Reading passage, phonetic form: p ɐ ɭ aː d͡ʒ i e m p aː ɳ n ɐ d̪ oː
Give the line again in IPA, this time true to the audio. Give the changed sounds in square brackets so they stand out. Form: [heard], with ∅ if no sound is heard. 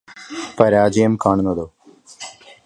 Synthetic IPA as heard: p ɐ [ɾ] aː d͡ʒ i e m [k] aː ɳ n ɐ d̪ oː